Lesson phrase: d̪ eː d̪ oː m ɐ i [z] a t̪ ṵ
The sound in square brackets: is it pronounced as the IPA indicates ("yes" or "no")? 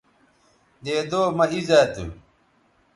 yes